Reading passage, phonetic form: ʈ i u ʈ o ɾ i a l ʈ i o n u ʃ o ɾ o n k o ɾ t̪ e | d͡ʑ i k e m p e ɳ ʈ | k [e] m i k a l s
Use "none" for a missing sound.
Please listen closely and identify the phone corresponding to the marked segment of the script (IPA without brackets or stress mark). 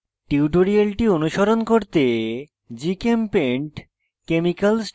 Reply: e